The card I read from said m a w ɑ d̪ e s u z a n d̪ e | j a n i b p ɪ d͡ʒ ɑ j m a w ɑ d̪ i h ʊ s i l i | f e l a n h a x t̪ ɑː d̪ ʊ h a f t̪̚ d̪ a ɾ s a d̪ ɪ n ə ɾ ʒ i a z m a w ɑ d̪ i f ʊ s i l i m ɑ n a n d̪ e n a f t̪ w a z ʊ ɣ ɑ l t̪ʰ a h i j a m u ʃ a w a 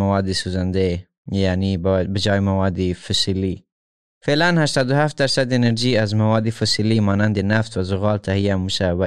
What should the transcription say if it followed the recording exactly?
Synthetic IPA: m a w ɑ d̪ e s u z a n d̪ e | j a n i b b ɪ d͡ʒ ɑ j m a w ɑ d̪ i f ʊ s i l i | f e l a n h a ʃ t̪ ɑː d̪ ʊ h a f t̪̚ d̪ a ɾ s a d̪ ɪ n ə ɾ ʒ i a z m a w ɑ d̪ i f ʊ s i l i m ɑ n a n d̪ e n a f t̪ w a z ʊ ɣ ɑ l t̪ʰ a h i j a m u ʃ a w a